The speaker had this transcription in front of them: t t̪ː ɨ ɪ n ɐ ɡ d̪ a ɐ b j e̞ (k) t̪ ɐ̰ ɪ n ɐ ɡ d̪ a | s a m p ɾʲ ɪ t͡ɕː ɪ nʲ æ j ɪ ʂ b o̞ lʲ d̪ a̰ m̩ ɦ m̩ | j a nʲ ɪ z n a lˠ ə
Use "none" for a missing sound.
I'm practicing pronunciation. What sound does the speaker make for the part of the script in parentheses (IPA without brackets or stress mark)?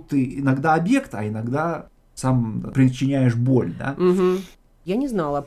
k